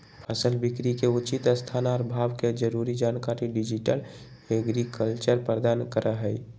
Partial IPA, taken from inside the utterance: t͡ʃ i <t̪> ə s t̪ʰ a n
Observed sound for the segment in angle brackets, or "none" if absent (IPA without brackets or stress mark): t̪